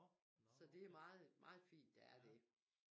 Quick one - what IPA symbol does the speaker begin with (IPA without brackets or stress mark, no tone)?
s